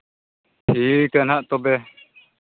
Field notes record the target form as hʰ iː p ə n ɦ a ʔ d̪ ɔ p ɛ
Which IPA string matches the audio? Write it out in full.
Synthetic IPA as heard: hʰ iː k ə n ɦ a ʔ t̪ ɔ b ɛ